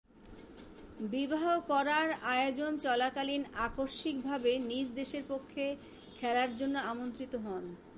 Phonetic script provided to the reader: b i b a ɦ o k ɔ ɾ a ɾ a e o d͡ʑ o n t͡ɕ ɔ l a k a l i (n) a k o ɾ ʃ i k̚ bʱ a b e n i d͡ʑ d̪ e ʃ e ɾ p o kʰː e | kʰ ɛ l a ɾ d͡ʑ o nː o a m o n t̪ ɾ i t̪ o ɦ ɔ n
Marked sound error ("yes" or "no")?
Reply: no